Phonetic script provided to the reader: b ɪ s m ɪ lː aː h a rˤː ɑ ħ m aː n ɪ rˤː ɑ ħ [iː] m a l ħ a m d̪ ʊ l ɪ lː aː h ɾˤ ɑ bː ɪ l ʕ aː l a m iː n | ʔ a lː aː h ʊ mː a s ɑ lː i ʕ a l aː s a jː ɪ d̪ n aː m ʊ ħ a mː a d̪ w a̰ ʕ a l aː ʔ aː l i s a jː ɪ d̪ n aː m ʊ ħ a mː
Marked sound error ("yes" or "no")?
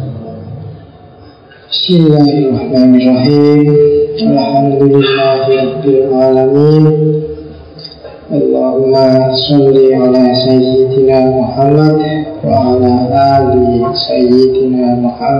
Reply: no